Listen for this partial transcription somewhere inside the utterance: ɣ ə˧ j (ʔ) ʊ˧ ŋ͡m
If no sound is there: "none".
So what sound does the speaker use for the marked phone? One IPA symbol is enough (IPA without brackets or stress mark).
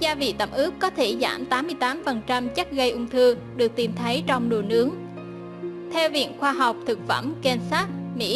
ʔ